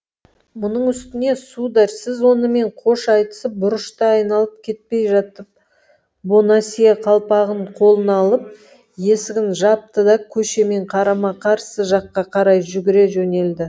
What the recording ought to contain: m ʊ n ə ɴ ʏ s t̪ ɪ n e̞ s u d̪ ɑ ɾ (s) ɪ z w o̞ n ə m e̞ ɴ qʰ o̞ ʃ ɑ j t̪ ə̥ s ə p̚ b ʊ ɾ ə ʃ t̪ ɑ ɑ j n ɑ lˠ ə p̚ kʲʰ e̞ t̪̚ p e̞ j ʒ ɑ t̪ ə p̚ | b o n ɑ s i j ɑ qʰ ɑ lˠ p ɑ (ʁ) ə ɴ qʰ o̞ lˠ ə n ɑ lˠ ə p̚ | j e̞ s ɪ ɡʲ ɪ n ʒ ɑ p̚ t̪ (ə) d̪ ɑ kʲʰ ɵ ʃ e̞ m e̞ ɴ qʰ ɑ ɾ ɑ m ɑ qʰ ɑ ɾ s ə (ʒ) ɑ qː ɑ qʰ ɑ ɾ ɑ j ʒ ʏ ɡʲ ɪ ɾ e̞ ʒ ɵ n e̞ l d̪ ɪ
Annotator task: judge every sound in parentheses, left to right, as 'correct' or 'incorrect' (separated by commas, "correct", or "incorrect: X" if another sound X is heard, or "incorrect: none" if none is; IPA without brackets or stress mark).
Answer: correct, correct, correct, correct